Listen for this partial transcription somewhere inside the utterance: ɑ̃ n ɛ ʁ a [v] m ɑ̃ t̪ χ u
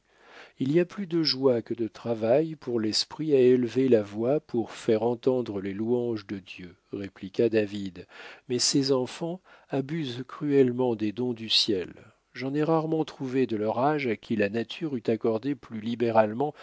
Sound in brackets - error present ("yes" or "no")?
yes